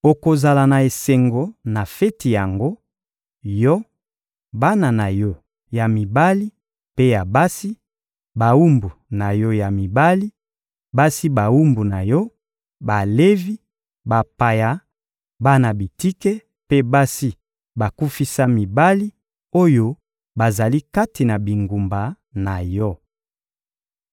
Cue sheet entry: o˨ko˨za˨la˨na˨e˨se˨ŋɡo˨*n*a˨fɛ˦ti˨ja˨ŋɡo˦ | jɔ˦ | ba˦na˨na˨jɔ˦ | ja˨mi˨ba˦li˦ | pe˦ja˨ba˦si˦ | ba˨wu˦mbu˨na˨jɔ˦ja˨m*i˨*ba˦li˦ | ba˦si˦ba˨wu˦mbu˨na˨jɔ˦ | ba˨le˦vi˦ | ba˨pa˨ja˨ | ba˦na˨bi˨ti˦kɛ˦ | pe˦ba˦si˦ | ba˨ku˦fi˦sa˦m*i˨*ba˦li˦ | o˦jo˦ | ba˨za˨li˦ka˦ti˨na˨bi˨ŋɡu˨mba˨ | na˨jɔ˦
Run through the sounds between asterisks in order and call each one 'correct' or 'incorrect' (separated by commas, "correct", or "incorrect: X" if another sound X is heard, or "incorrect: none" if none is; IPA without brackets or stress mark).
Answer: correct, correct, correct